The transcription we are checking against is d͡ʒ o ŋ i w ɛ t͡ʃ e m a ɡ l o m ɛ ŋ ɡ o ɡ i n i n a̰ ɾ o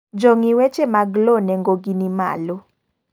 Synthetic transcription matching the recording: d͡ʒ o ŋ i w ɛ t͡ʃ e m a ɡ l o n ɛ ŋ ɡ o ɡ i n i m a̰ l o